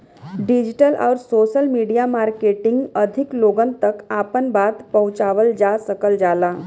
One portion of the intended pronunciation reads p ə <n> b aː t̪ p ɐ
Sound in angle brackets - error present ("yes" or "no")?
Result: no